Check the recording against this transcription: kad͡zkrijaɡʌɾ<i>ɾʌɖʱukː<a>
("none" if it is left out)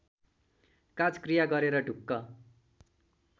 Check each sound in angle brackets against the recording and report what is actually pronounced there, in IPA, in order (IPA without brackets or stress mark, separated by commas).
e, ʌ